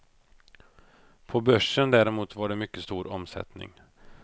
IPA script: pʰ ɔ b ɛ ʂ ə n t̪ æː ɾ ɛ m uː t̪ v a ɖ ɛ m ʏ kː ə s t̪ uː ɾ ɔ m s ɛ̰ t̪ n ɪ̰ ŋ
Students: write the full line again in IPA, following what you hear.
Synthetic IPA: pʰ ɔ b œ ʂ ə n d̪ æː ɾ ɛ m uː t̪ v a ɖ ɛ m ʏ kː ə s t̪ uː ɾ ɔ m s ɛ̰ t̪ n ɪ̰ ŋ

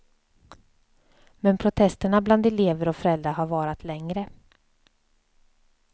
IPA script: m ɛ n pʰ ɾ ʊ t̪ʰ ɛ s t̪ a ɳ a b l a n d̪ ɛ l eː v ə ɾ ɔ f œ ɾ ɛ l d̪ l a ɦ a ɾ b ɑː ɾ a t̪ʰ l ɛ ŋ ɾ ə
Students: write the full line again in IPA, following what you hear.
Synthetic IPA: m ɛ n pʰ ɾ ʊ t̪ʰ ɛ s t̪ ə ɳ a b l a n d̪ ɛ l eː v ə ɾ ɔ f œ ɾ ɛ l d̪ ɾ a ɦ a ɾ v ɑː ɾ a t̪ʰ l ɛ ŋ ɾ ə

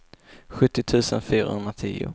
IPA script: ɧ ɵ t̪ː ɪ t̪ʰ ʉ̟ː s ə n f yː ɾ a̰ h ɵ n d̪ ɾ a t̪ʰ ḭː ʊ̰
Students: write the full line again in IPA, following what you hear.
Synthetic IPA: ɧ ɵ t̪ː ɪ t̪ʰ ʉ̟ː s ə n f yː ɾ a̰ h ɵ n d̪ ɾ a t̪ʰ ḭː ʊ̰

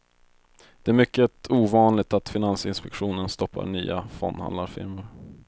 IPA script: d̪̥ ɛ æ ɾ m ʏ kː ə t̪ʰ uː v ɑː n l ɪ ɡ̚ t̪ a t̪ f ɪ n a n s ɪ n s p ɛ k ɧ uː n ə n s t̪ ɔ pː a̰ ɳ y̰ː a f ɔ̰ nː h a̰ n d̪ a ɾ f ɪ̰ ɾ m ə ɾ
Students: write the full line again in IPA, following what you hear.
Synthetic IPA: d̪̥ ɛ æ ɾ m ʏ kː ə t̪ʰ uː v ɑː n l ɪ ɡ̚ t̪ a t̪ f ɪ n a n s ɪ n s p ɛ k ɧ uː n ə n s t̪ ɔ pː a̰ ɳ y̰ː a f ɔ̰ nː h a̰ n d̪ a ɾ f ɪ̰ ɾ m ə ɾ

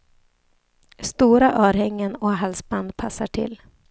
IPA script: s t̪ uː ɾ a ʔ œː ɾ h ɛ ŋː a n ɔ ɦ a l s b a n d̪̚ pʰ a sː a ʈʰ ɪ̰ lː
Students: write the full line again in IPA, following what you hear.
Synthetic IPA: s t̪ uː ɾ a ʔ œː ɾ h ɛ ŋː ə n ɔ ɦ a l s b a n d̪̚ pʰ a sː a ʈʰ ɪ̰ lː

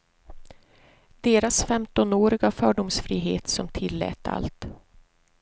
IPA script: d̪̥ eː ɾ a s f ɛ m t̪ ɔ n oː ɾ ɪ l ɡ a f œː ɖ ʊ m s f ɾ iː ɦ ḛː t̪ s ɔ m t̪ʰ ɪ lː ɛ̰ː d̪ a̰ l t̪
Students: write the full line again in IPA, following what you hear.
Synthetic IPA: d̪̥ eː ɾ a s f ɛ m t̪ ɔ n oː ɾ ɪ ɡ a f œː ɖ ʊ m s f ɾ iː ɦ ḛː t̪ s ɔ m t̪ʰ ɪ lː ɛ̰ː t̪ a̰ l t̪

